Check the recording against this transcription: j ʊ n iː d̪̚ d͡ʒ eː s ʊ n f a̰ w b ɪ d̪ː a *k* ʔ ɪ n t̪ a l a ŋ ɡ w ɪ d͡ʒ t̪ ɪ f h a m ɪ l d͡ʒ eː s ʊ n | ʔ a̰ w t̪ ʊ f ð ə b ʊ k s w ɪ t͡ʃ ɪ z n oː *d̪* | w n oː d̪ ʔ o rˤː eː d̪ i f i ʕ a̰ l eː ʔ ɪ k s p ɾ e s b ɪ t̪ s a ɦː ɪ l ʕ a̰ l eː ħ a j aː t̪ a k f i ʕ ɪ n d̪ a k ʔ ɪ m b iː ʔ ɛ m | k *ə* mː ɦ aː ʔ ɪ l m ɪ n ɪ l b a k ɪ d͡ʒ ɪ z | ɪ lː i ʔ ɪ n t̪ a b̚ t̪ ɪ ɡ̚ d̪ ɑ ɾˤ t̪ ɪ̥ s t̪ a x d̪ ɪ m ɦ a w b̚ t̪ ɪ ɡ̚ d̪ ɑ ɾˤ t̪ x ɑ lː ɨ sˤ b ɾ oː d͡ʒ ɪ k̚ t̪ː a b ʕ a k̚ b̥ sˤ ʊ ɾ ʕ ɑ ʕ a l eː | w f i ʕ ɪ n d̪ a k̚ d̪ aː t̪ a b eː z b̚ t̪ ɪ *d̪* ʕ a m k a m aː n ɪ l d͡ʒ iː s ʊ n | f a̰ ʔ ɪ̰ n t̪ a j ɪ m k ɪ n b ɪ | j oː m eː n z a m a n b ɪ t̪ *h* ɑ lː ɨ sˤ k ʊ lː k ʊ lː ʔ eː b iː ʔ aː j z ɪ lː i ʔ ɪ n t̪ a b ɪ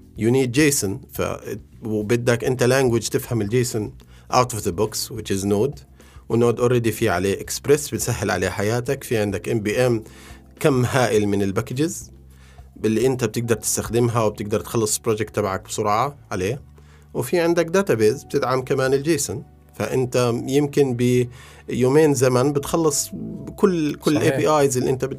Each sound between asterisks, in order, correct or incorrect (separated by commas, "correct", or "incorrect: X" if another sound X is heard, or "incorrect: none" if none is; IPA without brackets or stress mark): correct, correct, incorrect: a, correct, incorrect: x